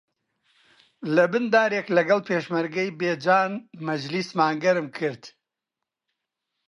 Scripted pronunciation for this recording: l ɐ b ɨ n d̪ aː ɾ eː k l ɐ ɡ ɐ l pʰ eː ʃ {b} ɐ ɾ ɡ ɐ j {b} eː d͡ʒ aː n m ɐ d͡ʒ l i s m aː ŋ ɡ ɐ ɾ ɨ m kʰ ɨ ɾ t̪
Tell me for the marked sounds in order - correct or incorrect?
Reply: incorrect, correct

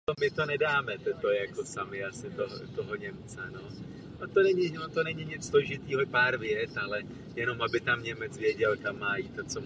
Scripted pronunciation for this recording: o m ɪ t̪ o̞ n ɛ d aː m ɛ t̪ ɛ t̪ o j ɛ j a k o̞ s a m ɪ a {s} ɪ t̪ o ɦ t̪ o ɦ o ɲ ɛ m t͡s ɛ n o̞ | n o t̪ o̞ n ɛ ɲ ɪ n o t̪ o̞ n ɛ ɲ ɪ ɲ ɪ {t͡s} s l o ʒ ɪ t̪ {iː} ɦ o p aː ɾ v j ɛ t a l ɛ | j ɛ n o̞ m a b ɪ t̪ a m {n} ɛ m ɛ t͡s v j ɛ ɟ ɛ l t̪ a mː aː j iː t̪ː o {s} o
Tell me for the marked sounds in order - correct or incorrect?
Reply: correct, correct, correct, incorrect, incorrect

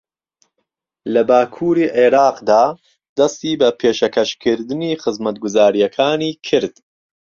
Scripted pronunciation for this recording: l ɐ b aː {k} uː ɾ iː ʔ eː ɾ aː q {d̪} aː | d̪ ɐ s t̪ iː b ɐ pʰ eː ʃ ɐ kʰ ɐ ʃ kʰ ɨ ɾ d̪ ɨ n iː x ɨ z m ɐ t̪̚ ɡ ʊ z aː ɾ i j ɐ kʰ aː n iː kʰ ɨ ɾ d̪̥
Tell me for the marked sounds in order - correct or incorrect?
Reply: incorrect, correct

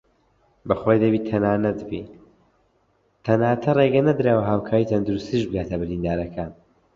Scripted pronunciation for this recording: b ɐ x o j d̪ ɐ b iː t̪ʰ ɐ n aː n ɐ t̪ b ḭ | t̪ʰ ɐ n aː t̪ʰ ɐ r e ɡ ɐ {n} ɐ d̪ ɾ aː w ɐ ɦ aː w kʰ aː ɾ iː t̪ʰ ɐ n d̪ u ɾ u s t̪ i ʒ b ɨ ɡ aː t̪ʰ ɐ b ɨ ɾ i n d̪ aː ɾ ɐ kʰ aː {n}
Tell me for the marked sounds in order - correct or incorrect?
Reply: correct, correct

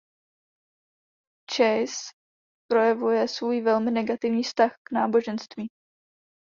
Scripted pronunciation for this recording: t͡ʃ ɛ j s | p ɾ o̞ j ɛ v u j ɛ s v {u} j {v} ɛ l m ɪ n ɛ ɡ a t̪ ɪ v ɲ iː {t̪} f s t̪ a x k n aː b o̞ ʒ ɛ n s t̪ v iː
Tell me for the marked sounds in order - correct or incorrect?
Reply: incorrect, correct, incorrect

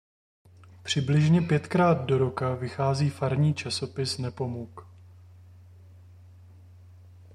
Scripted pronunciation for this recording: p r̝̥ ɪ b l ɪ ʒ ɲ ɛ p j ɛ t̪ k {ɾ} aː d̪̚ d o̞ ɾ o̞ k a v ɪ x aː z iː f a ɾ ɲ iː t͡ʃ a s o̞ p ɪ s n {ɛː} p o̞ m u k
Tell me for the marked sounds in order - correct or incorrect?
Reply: correct, incorrect

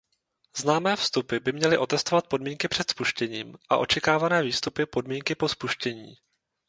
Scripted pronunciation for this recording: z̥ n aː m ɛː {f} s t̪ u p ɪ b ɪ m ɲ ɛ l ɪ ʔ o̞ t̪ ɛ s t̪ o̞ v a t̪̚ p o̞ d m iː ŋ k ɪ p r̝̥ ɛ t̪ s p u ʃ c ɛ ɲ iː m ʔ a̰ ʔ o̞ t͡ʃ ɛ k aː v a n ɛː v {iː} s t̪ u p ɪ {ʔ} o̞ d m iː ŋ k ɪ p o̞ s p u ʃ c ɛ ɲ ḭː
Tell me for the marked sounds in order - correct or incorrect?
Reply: correct, correct, incorrect

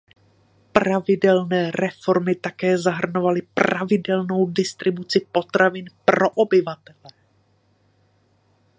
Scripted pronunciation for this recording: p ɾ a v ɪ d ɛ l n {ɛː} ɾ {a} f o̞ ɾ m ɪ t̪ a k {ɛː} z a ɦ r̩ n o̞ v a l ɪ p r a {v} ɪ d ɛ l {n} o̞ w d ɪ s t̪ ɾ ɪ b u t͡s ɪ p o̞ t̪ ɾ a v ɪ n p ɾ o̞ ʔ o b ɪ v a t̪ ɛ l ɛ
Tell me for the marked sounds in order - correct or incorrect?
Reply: correct, incorrect, correct, correct, correct

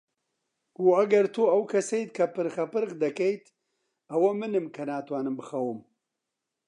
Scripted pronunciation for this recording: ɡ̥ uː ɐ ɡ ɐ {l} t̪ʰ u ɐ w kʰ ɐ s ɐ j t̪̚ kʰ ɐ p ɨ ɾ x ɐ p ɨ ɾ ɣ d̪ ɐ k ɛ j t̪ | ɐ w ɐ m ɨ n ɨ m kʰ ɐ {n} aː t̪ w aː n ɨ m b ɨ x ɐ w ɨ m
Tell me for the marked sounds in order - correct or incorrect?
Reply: incorrect, correct

